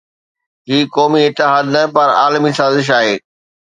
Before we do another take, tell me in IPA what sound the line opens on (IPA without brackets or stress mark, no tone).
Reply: ɦ